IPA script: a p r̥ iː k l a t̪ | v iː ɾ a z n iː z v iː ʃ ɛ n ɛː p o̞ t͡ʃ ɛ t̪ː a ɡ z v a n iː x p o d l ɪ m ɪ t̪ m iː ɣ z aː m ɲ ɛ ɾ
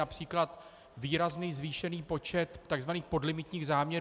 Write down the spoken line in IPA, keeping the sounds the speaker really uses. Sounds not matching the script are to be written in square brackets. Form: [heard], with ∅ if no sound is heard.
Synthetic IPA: a p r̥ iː k l a t̪ | v iː ɾ a z n iː z v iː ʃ ɛ n [iː] p o̞ t͡ʃ ɛ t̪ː a ɡ z v a n iː x p o d l ɪ m ɪ t̪ [ɲ] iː ɣ z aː m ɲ ɛ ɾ